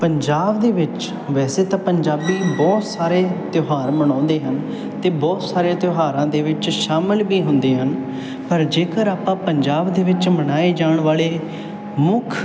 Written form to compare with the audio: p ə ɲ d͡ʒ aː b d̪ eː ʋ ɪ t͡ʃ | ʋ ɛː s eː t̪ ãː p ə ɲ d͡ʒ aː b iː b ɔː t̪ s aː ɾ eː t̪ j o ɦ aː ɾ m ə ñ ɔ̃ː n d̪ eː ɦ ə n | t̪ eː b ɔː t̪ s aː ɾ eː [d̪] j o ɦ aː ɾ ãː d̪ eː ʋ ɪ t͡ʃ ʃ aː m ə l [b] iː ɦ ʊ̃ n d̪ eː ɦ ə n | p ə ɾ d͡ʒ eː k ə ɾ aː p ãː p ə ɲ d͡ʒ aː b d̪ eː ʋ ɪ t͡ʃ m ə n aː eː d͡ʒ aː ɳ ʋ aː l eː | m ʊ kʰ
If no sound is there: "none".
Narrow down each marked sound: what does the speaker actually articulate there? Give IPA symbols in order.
t̪, b

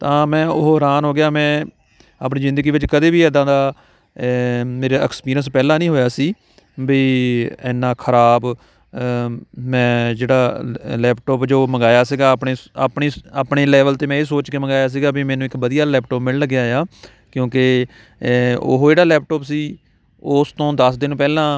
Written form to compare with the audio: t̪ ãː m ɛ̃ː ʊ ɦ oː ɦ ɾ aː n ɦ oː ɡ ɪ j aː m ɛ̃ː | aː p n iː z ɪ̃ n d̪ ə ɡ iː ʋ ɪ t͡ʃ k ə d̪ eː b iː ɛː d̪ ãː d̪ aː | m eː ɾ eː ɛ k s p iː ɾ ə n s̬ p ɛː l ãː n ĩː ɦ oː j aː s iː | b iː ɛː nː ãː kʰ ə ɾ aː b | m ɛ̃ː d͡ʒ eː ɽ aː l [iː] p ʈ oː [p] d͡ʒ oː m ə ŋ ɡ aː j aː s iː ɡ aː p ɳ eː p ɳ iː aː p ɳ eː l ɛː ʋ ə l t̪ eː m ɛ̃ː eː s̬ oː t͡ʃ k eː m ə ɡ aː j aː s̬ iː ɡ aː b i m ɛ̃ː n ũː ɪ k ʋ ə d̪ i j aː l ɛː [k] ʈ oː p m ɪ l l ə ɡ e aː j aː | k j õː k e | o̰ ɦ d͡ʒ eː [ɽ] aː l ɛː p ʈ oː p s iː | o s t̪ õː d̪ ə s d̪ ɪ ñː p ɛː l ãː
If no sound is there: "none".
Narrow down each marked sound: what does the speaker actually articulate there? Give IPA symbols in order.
ɛː, p, p, ɽ

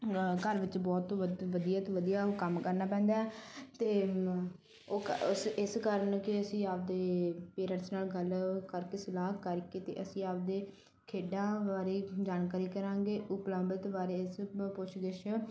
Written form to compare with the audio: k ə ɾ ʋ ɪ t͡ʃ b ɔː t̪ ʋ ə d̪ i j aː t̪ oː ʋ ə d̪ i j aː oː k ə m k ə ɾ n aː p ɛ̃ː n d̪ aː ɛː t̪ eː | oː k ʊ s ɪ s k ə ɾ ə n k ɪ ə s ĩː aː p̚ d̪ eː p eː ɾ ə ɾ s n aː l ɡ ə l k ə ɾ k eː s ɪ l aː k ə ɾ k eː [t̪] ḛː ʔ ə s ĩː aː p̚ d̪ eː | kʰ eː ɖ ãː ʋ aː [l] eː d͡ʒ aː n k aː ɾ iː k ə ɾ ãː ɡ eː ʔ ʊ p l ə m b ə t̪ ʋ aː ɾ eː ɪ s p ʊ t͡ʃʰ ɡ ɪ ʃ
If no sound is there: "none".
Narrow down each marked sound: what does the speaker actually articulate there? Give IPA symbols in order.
t̪, ɾ

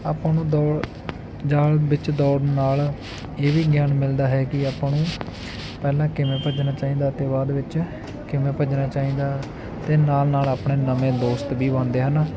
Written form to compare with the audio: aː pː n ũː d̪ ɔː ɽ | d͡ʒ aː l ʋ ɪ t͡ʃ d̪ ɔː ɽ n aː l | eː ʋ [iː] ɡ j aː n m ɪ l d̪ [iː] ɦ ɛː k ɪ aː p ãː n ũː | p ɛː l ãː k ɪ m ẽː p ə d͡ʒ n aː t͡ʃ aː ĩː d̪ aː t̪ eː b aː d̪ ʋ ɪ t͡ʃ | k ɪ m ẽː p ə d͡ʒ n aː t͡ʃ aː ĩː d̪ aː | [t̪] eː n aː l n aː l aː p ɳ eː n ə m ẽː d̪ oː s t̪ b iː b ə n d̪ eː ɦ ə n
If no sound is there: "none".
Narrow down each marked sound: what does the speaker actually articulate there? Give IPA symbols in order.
iː, aː, t̪

